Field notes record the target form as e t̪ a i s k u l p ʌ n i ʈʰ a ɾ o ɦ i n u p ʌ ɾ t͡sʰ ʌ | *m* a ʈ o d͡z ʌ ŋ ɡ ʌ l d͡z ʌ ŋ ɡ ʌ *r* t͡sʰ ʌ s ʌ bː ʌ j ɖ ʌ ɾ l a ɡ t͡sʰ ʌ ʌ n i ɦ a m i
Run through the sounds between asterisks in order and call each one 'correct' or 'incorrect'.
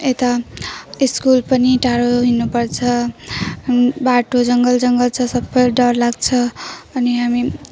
incorrect, incorrect

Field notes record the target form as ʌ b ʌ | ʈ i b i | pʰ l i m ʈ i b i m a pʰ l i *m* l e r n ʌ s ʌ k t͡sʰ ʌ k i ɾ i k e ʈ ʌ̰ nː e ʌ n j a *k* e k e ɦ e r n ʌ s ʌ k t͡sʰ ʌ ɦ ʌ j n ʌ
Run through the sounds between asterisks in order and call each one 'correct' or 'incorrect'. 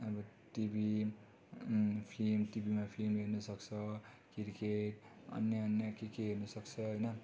correct, correct

